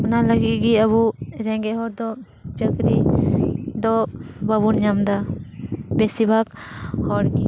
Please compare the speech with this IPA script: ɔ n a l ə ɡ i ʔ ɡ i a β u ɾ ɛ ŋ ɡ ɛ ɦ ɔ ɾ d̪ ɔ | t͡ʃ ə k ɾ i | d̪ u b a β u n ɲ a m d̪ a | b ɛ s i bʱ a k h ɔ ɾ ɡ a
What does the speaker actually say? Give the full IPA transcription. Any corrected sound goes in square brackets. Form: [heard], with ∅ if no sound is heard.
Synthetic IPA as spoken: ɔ n a l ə ɡ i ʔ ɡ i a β u ɾ ɛ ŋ ɡ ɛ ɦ ɔ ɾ d̪ ɔ | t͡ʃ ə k ɾ i | d̪ [ɔ] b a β u n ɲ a m d̪ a | b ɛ s i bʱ a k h ɔ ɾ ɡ [i]